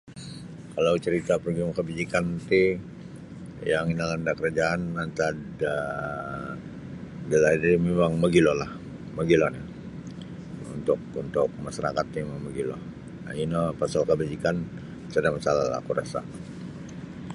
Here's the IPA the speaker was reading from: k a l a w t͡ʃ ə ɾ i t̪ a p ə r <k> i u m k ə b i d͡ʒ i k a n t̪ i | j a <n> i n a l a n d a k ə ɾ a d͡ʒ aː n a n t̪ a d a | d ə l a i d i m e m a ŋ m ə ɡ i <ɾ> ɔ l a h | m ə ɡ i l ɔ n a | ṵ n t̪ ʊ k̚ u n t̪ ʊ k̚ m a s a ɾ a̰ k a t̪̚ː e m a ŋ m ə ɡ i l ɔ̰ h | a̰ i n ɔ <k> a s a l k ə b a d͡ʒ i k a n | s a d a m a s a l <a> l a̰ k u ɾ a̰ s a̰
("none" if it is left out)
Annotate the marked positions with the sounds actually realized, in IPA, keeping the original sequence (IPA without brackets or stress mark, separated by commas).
ɡ, ŋ, l, p, a